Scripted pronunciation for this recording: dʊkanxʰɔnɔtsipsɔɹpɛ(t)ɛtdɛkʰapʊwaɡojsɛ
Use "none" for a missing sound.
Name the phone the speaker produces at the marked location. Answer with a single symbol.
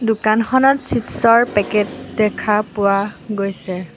k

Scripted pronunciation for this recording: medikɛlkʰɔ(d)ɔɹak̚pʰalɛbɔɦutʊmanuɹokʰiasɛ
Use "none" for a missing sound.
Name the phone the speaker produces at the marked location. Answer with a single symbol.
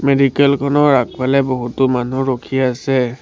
n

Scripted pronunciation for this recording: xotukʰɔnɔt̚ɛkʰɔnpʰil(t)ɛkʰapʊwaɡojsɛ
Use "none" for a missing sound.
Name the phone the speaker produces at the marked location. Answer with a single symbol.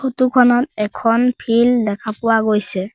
d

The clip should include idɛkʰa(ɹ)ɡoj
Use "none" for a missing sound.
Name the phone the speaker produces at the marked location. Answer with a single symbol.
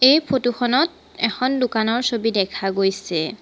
none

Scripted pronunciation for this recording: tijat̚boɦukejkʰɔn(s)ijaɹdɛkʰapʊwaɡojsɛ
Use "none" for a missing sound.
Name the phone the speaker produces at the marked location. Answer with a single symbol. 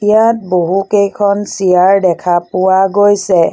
s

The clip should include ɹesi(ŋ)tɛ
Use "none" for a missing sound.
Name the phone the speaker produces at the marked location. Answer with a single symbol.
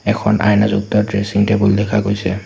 ŋ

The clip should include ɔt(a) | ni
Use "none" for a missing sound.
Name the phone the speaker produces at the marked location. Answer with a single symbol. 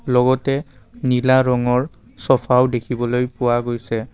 ɛ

